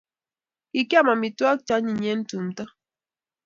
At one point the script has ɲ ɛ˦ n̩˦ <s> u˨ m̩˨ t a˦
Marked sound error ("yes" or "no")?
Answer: yes